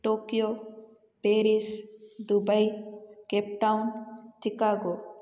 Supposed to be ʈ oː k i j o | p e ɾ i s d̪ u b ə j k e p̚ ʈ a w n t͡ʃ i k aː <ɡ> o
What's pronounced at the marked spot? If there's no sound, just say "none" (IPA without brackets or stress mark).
ɡ